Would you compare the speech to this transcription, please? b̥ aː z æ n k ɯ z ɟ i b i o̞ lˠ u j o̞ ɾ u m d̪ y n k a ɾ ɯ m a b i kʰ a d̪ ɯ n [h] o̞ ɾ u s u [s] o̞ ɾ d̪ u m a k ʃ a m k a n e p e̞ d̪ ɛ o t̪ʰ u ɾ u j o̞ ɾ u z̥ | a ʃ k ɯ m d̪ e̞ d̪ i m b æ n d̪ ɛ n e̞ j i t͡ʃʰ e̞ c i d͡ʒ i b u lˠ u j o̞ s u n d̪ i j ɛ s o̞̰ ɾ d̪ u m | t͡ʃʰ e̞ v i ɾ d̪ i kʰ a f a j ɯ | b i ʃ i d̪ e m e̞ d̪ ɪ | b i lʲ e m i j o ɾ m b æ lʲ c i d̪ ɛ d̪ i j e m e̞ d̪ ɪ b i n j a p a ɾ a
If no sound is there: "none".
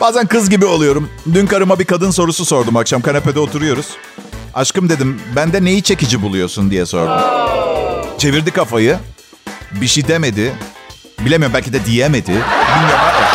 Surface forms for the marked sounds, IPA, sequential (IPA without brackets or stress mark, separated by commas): s, s